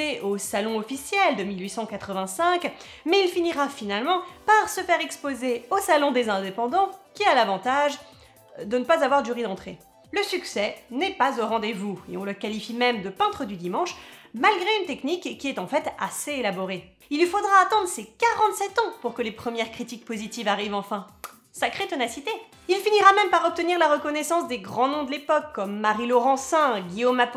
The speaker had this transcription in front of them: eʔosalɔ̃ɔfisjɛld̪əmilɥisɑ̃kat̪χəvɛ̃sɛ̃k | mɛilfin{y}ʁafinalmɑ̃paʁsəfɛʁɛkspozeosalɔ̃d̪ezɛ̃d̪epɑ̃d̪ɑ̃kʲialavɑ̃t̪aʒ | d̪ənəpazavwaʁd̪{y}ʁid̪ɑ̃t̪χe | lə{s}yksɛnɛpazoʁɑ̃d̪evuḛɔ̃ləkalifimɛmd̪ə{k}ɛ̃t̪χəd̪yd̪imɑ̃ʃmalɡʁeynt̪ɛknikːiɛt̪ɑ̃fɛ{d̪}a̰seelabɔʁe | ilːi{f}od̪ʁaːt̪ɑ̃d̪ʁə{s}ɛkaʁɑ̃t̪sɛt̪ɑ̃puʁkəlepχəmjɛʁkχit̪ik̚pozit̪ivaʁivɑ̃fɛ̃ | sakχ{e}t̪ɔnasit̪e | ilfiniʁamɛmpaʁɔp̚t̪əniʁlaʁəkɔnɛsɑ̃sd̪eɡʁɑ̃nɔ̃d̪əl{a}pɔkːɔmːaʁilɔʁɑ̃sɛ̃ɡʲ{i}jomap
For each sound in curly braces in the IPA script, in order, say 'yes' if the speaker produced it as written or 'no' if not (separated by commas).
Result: no, yes, yes, no, no, yes, yes, yes, no, yes